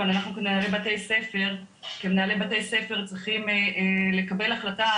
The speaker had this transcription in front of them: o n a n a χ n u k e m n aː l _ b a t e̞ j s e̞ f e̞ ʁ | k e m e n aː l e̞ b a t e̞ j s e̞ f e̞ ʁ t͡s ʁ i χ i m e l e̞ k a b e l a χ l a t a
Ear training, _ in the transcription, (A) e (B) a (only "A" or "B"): A